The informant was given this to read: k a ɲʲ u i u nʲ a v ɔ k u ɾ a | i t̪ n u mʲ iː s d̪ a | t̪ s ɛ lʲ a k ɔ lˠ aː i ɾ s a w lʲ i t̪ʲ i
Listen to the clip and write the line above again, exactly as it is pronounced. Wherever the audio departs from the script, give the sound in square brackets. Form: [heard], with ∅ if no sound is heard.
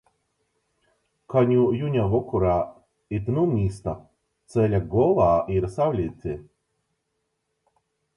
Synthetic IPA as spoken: k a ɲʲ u [j] u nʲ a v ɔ k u ɾ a | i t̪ n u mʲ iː s [t̪] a | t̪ s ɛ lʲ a [ɡ] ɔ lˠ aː i ɾ s a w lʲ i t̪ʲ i